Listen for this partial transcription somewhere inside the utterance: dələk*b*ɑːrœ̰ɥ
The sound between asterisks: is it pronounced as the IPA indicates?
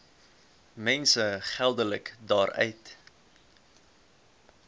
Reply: no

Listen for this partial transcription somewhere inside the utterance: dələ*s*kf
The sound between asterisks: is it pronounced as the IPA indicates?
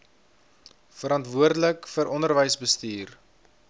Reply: no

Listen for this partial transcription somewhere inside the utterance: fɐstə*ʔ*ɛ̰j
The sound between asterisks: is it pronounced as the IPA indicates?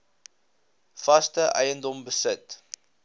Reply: yes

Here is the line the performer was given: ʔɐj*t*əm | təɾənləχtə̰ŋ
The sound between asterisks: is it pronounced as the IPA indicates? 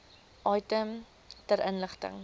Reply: yes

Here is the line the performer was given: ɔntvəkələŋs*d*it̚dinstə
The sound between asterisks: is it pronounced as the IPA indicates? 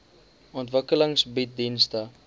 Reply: no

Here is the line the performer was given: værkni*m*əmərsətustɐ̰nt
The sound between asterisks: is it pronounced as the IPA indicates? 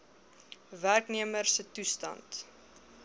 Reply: no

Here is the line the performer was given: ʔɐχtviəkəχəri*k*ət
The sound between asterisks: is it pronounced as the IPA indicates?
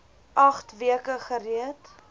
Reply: no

